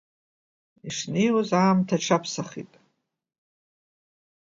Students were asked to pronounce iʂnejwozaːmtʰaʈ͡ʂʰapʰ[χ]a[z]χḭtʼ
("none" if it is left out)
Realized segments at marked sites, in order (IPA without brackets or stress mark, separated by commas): s, none